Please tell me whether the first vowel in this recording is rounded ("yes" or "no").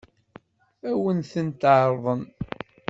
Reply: no